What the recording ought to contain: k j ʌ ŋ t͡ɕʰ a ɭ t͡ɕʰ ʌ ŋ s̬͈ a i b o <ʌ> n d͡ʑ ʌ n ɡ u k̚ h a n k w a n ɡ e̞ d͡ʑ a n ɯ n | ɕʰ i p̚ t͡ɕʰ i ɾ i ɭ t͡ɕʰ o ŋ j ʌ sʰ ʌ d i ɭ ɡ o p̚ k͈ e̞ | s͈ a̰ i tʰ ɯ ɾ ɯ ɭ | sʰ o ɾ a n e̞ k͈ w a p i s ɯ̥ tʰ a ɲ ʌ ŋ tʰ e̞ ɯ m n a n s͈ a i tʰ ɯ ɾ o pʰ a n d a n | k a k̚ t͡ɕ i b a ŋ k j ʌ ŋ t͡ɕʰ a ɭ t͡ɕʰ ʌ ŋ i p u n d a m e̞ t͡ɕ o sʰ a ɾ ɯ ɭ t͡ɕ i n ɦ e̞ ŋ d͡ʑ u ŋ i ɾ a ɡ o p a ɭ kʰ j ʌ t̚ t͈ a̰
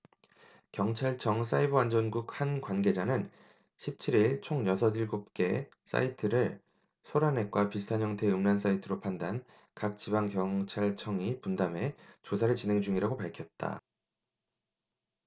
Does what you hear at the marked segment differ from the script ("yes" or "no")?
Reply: yes